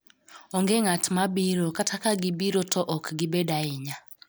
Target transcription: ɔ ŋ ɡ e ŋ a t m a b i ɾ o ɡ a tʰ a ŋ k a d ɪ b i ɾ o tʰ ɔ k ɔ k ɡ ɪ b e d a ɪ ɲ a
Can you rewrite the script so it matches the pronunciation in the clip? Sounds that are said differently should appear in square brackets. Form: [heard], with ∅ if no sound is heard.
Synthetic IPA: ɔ ŋ ɡ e ŋ a t m a b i ɾ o [k] a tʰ a [∅] k a [ɡ] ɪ b i ɾ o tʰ ɔ [ʔ] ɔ k ɡ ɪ b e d a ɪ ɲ a

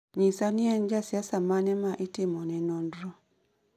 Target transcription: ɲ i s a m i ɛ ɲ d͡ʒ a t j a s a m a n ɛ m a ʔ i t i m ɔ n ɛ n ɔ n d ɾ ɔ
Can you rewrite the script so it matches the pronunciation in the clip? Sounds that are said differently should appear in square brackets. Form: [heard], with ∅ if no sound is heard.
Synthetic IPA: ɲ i s a [n] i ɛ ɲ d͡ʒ a [s] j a s a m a n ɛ m a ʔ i t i m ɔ n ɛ n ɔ n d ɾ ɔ

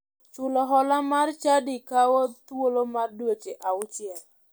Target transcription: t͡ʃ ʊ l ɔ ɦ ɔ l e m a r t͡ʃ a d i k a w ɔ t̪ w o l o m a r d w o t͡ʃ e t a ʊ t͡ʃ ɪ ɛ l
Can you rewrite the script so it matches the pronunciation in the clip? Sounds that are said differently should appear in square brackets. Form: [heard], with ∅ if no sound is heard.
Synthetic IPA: t͡ʃ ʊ l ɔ ɦ ɔ l [a] m a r t͡ʃ a d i k a w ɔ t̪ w o l o m a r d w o t͡ʃ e [ʔ] a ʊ t͡ʃ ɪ ɛ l

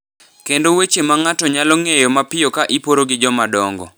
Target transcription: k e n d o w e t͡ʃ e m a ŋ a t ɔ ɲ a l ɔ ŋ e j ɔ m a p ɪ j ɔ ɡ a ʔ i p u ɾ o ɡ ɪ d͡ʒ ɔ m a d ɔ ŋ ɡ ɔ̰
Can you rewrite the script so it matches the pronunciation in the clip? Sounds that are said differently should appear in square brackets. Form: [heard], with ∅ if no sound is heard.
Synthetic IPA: k e n d o w e t͡ʃ e m a ŋ a t ɔ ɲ a l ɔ ŋ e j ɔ m a p ɪ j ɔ [k] a ʔ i p [o] ɾ o ɡ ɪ d͡ʒ ɔ m a d ɔ ŋ ɡ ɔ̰

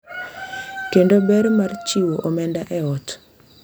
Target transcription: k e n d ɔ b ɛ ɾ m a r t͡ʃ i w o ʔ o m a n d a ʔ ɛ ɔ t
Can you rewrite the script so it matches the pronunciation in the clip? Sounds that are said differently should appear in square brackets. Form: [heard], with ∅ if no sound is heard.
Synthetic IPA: k e n d [o] b ɛ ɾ m a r t͡ʃ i w o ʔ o m [ɛ] n d a ʔ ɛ ɔ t

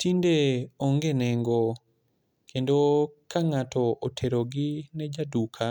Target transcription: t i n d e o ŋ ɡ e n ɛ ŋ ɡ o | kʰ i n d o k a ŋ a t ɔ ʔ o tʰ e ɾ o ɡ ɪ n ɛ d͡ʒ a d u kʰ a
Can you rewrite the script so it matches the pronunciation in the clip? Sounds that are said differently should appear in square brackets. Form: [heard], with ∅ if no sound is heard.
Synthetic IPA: t i n d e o ŋ ɡ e n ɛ ŋ ɡ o | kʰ [e] n d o k a ŋ a t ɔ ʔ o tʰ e ɾ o ɡ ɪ n ɛ d͡ʒ a d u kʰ a

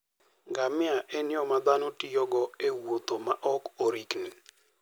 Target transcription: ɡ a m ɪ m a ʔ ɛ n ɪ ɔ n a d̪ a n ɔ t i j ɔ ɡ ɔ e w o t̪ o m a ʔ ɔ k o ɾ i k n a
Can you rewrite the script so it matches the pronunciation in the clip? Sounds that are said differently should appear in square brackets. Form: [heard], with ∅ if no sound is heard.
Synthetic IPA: ɡ a m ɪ [∅] a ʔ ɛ n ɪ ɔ [m] a d̪ a n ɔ t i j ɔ ɡ ɔ e w o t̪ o m a ʔ ɔ k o ɾ i k n [i]

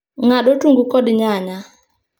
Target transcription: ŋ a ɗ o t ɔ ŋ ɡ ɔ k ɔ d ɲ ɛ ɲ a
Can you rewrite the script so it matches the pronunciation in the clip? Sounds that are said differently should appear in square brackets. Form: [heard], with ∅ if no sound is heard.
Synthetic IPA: ŋ a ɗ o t [u] ŋ ɡ [u] k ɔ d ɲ [a] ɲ a

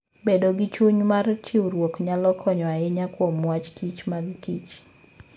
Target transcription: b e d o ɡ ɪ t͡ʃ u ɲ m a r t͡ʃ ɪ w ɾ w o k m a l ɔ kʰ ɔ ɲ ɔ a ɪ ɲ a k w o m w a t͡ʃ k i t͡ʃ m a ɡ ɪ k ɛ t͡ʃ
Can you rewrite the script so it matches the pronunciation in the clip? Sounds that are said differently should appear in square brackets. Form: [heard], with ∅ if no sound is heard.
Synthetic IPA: b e d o ɡ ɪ t͡ʃ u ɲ m a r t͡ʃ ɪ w ɾ w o k [ɲ] a l ɔ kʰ ɔ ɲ ɔ a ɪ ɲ a k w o m w a t͡ʃ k i t͡ʃ m a ɡ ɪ k [i] t͡ʃ

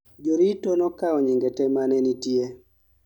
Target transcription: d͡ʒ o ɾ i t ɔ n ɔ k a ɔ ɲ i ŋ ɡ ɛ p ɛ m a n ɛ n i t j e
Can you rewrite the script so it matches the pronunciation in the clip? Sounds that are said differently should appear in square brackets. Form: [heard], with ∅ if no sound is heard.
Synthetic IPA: d͡ʒ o ɾ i t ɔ n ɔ k a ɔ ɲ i ŋ ɡ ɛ [t] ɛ m a n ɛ n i t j e

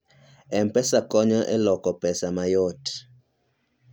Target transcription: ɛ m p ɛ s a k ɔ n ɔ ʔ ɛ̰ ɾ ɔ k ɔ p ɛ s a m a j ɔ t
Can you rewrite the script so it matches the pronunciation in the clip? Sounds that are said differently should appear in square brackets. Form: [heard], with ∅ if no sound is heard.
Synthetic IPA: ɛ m p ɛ s a k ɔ [ɲ] ɔ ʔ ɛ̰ [l] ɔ k ɔ p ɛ s a m a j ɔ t

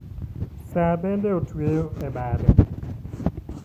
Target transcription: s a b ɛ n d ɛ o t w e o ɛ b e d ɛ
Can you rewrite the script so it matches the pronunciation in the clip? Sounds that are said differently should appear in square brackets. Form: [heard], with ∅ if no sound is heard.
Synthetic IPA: s a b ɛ n d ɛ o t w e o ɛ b [a] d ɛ

